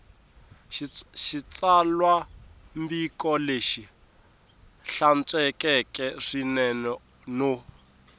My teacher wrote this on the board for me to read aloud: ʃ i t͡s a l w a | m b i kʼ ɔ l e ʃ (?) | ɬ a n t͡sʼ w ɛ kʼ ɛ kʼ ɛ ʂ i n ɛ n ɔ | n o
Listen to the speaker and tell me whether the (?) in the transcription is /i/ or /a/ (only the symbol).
i